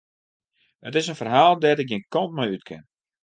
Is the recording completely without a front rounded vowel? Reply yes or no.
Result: no